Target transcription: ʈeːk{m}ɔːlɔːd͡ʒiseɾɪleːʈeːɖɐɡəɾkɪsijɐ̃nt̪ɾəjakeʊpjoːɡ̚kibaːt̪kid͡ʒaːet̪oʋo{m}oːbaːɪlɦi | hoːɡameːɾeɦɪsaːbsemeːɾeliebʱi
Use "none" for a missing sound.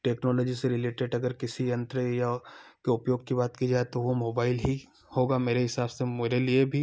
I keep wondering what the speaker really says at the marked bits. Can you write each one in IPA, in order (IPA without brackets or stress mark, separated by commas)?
n, m